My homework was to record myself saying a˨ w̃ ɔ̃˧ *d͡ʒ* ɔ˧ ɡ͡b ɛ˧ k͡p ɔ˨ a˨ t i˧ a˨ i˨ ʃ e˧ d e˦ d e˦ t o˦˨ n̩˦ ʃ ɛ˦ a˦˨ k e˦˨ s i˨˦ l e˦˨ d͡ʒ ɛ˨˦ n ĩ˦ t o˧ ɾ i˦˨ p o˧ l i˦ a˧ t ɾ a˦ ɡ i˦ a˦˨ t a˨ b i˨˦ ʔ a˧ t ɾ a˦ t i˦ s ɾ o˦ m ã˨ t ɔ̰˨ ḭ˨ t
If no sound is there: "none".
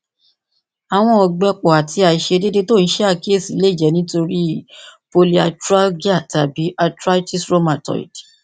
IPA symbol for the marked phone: none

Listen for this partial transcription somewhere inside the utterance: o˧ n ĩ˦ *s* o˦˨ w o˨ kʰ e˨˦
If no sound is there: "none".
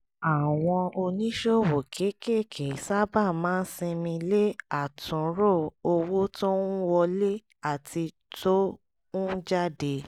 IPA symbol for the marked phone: ʃ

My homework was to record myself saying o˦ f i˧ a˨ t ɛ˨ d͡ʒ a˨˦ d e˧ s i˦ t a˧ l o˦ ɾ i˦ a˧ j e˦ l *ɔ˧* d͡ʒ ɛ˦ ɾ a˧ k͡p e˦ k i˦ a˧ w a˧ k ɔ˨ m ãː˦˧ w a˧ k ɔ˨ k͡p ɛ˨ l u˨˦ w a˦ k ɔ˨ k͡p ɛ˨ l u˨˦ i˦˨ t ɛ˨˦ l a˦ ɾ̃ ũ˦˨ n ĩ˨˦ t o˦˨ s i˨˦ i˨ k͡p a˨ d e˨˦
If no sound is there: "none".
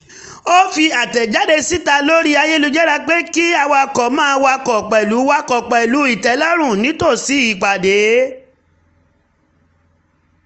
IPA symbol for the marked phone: u˧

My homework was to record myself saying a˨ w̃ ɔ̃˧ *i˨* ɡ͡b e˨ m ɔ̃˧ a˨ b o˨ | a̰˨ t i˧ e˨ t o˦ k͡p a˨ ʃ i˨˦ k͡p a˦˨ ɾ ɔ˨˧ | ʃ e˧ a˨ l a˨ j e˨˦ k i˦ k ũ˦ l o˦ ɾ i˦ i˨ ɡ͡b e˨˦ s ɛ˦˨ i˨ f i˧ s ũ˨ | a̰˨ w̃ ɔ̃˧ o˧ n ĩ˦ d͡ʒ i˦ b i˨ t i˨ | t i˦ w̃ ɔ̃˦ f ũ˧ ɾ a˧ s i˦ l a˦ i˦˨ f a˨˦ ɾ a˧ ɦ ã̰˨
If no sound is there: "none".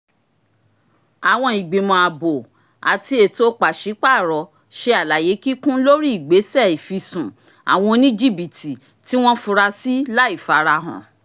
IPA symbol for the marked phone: i˨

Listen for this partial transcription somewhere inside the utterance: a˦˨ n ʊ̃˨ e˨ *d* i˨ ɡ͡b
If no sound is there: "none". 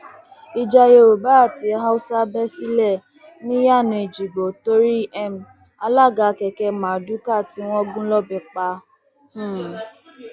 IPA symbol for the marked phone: d͡ʒ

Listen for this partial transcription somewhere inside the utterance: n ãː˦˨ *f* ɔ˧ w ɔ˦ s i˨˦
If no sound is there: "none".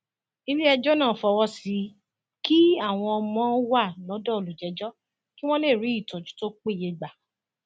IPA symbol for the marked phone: f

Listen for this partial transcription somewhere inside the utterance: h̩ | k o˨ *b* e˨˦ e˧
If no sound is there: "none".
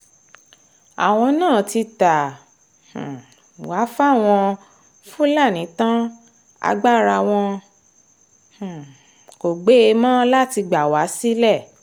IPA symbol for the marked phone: ɡ͡b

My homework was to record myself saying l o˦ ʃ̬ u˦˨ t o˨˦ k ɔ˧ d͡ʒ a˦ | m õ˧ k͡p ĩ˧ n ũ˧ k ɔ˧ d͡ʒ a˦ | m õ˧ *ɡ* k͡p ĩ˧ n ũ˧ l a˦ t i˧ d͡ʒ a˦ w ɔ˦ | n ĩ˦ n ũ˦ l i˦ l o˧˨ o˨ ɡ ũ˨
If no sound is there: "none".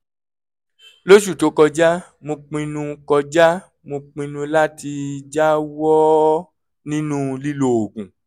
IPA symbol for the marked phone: none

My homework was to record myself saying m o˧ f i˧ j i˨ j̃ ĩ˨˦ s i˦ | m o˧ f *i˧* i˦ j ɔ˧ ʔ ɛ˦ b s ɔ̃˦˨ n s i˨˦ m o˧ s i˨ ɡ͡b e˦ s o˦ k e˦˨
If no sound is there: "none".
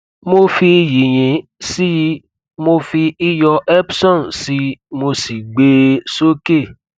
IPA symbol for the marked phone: i˧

